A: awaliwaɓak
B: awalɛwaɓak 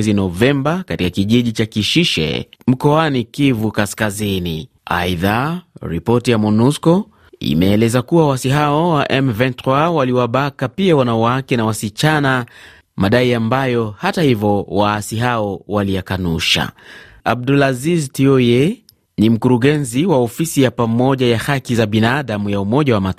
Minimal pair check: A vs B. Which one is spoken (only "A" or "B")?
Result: A